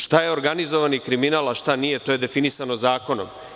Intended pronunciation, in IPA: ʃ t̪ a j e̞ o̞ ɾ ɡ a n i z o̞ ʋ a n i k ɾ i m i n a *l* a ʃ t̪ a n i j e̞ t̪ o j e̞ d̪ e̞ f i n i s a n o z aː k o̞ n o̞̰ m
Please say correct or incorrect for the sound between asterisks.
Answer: correct